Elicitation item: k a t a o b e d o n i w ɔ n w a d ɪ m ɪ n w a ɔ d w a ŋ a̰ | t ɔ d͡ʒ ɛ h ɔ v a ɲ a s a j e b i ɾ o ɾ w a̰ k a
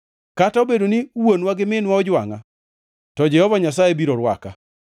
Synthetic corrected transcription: k a t a o b e d o n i w o n w a ɡ ɪ m ɪ n w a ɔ d͡ʒ w a ŋ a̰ | t ɔ d͡ʒ ɛ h ɔ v a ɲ a s a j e b i ɾ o ɾ w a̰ k a